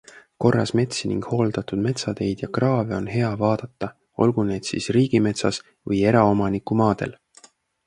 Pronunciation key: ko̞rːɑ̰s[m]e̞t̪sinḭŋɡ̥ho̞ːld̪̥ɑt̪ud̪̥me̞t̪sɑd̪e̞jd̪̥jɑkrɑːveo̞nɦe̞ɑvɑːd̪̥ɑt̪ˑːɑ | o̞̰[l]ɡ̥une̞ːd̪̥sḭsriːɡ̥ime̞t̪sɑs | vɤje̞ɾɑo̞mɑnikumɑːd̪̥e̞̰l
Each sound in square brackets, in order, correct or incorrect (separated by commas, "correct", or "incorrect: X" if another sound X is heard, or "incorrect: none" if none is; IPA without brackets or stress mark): correct, correct